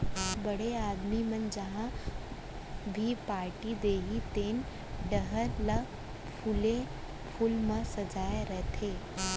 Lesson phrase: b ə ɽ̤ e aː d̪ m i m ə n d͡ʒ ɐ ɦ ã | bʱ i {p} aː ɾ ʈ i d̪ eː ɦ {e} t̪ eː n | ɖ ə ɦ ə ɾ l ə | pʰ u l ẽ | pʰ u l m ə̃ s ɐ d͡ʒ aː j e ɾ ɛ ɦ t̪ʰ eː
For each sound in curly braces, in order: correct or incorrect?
correct, incorrect: i

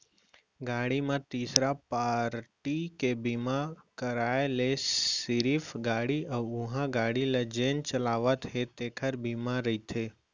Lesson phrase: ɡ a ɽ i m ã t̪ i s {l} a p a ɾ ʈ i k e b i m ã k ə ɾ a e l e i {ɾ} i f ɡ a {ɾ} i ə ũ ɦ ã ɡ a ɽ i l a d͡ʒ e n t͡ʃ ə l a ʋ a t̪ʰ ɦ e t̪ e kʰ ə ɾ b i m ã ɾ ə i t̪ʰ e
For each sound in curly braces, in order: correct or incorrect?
incorrect: ɾ, correct, incorrect: ɽ

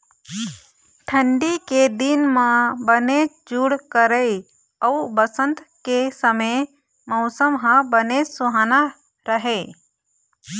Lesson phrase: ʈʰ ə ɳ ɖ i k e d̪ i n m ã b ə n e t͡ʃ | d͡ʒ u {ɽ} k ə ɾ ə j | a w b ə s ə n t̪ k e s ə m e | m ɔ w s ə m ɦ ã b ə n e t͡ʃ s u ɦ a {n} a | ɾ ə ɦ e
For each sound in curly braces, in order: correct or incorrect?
correct, correct

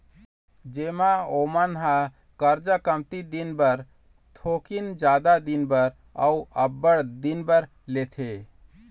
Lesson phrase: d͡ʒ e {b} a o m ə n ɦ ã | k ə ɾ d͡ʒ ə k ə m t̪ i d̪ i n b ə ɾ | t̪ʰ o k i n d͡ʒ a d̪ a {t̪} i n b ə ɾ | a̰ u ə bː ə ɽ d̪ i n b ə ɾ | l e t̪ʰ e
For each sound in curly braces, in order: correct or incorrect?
incorrect: m, incorrect: d̪

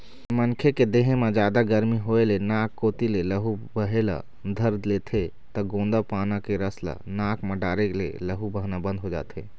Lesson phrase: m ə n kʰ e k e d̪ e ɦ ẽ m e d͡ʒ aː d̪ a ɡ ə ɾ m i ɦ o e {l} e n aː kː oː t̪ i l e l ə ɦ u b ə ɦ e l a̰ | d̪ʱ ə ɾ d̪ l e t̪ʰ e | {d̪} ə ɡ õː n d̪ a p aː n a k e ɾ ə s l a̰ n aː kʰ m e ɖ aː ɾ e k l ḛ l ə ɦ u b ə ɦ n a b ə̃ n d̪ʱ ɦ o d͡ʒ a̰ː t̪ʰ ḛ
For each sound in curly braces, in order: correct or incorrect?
correct, incorrect: t̪

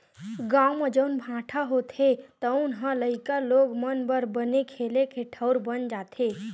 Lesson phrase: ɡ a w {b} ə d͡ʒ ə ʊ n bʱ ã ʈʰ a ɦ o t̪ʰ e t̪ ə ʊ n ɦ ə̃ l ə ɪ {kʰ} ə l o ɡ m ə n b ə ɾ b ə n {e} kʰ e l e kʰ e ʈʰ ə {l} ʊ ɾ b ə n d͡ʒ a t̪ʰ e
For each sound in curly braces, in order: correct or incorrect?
incorrect: m, incorrect: k, correct, incorrect: none

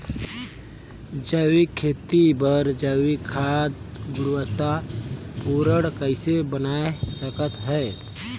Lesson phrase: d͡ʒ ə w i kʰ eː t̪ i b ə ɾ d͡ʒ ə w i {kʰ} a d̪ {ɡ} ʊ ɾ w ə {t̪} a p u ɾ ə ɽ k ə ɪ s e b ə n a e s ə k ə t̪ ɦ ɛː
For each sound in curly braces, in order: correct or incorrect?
correct, correct, correct

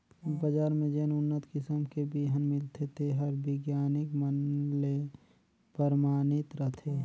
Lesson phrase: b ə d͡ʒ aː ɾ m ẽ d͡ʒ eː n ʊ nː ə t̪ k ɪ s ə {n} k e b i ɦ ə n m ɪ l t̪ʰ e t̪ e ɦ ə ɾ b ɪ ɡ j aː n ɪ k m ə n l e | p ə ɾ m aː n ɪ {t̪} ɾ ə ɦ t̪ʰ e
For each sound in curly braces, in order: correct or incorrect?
incorrect: m, correct

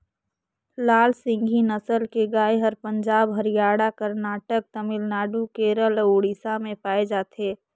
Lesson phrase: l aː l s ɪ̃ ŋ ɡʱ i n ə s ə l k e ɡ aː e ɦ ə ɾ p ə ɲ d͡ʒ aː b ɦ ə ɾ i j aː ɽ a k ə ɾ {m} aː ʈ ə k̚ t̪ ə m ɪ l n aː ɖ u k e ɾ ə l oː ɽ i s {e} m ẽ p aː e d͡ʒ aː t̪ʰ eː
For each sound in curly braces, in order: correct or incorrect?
incorrect: n, incorrect: a

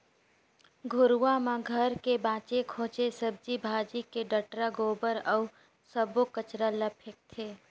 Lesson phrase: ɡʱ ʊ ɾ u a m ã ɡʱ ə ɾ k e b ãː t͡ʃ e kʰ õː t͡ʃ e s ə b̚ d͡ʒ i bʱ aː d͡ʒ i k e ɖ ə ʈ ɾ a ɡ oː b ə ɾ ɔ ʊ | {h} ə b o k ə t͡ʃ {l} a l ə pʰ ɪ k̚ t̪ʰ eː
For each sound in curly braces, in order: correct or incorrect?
incorrect: s, incorrect: ɾ

